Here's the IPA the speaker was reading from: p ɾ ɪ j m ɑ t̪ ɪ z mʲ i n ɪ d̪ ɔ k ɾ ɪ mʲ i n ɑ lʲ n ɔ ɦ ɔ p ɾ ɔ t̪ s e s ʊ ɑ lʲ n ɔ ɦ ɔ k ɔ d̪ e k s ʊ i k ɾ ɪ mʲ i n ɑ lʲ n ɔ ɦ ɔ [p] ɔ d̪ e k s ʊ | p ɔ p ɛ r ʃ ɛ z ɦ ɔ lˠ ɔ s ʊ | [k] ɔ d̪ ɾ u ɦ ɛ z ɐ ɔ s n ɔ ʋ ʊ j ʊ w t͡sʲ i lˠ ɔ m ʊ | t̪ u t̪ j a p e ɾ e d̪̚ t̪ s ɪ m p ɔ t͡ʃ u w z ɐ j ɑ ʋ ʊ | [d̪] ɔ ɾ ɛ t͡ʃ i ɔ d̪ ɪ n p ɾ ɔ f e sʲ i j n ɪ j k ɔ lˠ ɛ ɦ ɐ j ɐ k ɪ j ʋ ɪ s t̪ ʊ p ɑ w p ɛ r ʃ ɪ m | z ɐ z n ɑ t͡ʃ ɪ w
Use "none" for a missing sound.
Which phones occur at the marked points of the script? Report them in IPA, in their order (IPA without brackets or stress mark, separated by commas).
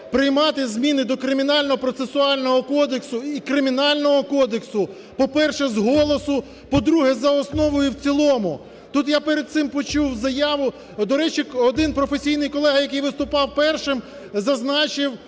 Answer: k, p, d̪